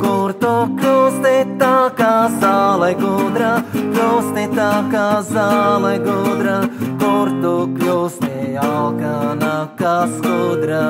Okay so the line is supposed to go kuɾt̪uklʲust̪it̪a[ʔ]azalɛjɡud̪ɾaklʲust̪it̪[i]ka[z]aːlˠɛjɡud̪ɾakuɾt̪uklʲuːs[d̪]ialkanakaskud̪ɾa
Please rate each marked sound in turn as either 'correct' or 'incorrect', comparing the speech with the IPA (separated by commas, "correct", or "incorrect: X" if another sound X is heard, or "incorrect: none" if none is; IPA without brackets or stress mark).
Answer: incorrect: k, incorrect: a, correct, incorrect: t̪